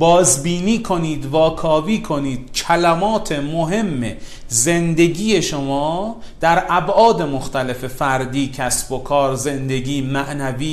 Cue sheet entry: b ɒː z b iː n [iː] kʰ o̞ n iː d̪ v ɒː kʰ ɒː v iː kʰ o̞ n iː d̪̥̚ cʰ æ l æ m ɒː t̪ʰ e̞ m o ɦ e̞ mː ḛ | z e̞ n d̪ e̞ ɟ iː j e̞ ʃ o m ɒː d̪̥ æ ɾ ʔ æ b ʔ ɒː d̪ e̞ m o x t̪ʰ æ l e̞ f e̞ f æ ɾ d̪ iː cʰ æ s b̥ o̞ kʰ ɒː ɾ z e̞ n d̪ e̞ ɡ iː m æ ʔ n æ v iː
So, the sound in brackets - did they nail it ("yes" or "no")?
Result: yes